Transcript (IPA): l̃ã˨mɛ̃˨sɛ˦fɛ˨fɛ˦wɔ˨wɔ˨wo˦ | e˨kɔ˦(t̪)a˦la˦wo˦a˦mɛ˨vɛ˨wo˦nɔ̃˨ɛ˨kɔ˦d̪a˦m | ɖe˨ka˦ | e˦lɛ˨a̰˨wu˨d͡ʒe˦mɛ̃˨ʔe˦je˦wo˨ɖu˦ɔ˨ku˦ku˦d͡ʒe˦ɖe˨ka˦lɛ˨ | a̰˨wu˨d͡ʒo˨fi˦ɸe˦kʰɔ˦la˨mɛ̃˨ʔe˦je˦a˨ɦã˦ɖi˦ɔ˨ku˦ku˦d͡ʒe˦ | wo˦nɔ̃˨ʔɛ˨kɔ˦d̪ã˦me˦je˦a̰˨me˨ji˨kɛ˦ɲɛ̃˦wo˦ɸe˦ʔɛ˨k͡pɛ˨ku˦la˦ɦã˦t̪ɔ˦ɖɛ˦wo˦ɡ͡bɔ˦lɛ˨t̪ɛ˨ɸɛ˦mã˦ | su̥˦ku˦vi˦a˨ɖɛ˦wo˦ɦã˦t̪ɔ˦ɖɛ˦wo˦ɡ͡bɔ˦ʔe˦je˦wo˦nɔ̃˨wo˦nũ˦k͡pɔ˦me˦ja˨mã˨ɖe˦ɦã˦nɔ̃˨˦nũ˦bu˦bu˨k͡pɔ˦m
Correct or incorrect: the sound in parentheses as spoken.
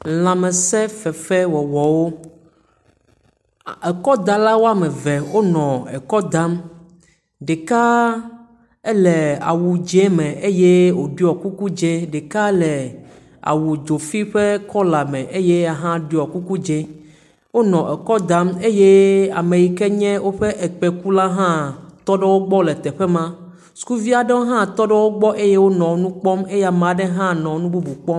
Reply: incorrect: d̪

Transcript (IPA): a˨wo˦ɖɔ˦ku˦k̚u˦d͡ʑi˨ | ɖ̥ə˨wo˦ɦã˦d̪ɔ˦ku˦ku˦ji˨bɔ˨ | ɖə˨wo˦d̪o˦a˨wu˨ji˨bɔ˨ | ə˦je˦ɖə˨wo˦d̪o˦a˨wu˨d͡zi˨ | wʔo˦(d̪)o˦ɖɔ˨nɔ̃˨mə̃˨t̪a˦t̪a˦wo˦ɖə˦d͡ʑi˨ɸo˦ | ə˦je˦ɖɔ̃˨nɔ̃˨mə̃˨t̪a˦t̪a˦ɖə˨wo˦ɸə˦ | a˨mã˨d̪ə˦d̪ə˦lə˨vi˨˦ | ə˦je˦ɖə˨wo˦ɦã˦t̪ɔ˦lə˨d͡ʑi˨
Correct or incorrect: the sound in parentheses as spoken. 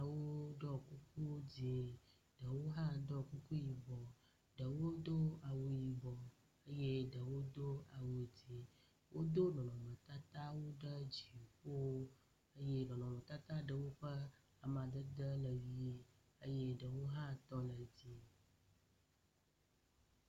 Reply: correct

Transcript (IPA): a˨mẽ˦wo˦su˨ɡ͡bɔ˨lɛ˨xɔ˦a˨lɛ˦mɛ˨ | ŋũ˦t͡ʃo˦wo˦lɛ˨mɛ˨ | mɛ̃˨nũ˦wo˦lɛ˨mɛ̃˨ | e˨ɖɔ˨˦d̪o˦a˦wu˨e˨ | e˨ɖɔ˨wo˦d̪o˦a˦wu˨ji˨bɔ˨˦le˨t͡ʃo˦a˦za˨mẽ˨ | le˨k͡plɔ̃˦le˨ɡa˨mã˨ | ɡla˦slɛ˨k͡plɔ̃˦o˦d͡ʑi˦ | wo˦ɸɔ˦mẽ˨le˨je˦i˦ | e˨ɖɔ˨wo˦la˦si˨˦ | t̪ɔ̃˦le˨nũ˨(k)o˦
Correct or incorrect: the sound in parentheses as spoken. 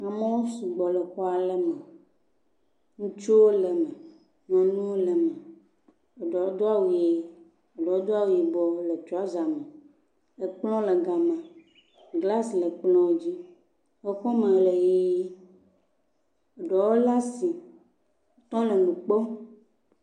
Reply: incorrect: k͡p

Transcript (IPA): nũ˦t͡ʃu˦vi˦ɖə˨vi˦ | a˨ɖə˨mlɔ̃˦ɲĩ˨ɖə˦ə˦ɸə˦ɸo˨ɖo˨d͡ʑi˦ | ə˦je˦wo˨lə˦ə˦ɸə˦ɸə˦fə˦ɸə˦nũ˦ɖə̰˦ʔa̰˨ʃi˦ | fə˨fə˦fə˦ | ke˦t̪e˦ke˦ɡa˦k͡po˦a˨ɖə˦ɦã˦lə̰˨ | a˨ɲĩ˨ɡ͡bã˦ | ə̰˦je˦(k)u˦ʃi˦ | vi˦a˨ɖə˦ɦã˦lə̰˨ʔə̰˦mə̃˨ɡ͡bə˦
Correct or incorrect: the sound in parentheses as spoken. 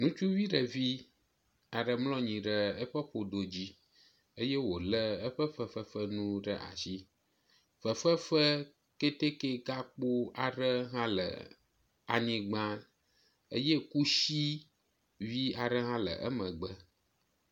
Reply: correct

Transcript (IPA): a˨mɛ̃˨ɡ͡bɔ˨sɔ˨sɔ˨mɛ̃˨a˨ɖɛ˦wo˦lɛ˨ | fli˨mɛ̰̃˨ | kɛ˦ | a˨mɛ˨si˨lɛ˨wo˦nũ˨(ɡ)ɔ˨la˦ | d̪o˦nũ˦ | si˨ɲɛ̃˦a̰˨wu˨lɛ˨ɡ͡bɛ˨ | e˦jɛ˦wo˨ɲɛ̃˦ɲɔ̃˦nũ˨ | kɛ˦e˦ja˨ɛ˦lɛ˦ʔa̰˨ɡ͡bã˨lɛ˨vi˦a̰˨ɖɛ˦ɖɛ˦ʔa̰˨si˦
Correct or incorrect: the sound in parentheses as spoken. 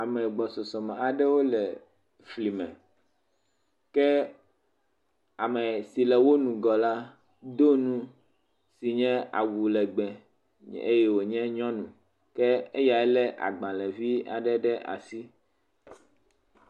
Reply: correct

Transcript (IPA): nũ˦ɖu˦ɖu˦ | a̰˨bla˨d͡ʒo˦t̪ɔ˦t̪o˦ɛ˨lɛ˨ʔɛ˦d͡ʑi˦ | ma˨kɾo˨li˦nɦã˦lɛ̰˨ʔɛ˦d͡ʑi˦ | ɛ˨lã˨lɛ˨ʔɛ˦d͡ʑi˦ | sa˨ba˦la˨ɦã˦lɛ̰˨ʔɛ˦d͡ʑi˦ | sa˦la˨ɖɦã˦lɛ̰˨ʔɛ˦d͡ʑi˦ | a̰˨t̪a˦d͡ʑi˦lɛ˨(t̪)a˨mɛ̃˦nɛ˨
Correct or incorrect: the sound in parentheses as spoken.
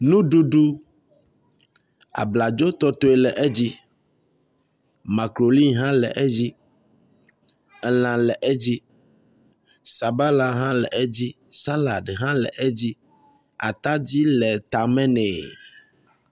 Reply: correct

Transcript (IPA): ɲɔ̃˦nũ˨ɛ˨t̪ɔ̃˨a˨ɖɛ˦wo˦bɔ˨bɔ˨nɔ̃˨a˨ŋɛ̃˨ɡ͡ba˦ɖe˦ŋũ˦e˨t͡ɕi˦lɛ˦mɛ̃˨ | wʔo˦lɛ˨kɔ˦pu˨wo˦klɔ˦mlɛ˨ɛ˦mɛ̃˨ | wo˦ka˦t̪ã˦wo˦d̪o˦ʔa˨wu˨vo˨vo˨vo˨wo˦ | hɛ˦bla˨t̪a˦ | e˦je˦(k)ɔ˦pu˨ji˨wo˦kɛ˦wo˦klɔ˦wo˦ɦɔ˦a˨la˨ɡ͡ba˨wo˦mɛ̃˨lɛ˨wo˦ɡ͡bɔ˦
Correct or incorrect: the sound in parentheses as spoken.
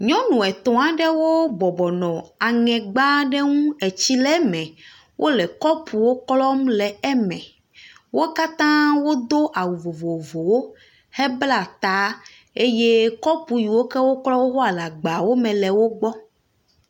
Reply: correct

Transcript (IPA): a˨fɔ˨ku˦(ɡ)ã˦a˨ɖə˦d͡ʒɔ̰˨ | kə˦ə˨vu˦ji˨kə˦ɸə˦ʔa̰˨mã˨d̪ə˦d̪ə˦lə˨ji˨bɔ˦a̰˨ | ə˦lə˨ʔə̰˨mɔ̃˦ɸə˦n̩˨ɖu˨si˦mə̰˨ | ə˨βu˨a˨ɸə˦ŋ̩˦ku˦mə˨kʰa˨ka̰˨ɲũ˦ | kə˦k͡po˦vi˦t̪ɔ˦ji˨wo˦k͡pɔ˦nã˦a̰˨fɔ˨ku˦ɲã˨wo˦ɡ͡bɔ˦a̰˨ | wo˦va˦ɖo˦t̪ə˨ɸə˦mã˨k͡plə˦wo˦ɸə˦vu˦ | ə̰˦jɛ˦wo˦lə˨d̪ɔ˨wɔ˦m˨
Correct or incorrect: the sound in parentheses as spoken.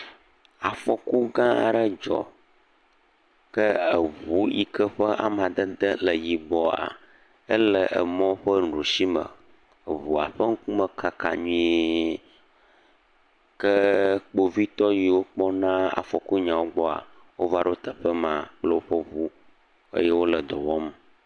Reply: correct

